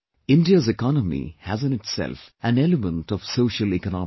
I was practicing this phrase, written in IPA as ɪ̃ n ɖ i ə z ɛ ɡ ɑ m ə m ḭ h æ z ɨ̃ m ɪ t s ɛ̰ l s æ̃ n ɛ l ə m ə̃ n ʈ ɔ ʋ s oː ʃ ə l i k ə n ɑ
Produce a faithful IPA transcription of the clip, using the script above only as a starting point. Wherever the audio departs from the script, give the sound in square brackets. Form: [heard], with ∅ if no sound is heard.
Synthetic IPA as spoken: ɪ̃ n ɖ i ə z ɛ [k] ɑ [n] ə m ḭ h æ z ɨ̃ [n] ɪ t s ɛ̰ l [f] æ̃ n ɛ l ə m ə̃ n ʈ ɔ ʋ s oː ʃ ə l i k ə n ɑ